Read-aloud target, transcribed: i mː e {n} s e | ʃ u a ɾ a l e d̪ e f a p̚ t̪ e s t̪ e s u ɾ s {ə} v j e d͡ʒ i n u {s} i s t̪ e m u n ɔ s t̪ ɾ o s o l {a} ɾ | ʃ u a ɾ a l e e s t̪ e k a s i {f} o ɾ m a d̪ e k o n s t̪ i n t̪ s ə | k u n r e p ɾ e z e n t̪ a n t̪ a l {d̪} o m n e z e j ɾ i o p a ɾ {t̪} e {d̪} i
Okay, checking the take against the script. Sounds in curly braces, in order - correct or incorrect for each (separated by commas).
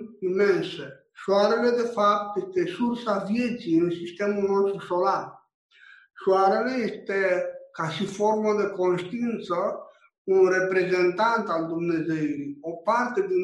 correct, incorrect, correct, correct, correct, correct, correct, correct